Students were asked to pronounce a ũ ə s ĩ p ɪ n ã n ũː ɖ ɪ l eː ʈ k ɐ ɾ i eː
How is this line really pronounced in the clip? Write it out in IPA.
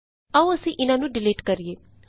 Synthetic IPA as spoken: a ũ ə s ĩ ʔ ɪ n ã n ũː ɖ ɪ l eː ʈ k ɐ ɾ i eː